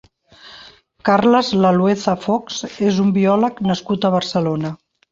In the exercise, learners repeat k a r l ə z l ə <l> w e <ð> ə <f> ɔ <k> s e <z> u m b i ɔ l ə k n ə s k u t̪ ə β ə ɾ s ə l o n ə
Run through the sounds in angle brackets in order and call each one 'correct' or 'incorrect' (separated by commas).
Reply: correct, incorrect, correct, correct, correct